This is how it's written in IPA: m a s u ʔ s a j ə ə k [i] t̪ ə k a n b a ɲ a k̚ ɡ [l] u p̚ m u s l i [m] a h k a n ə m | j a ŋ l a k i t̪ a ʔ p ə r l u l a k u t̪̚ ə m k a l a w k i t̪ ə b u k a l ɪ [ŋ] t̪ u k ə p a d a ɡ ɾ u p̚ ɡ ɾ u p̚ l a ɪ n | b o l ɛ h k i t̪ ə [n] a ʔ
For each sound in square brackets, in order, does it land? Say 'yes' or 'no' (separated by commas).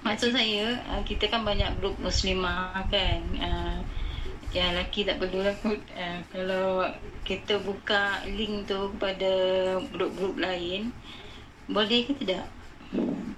yes, no, yes, yes, no